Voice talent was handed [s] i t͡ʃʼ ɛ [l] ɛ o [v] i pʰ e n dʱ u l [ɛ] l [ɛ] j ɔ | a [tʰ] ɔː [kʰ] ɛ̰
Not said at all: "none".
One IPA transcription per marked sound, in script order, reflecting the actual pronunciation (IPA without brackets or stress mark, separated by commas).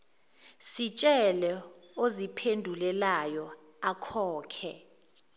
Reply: s, l, z, ɛ, a, kʰ, kʰ